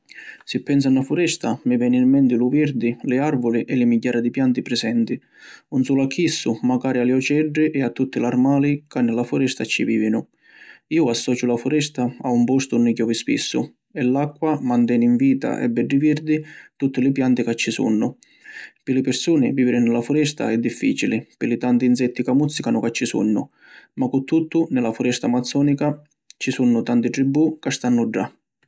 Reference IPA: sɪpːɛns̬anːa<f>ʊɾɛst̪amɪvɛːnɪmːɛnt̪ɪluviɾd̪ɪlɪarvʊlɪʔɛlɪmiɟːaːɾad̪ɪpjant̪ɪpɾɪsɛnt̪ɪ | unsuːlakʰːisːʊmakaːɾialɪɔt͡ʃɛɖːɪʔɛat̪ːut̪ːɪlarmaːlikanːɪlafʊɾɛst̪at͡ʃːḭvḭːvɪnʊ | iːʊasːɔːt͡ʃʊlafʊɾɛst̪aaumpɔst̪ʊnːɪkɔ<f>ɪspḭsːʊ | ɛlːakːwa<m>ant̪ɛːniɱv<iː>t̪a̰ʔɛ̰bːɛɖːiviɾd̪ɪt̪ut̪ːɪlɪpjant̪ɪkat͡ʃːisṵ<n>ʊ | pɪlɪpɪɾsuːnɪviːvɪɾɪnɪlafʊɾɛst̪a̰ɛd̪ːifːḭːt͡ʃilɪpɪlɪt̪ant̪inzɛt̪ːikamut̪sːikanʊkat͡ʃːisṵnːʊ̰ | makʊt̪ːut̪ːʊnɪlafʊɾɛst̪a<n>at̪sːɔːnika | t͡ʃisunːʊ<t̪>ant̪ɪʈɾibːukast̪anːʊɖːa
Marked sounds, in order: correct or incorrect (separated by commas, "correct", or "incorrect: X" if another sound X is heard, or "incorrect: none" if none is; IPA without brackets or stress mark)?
correct, incorrect: v, correct, correct, incorrect: nː, incorrect: m, correct